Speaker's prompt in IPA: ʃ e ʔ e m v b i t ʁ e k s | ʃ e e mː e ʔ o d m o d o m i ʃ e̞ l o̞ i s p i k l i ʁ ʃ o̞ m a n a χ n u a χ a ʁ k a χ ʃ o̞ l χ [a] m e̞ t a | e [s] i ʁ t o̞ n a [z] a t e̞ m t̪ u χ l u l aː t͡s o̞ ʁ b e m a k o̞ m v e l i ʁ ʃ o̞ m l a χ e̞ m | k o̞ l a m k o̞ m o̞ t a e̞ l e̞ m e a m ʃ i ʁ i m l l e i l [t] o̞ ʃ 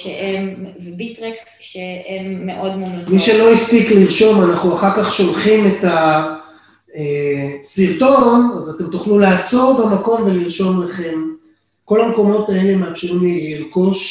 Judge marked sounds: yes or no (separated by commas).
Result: no, yes, yes, no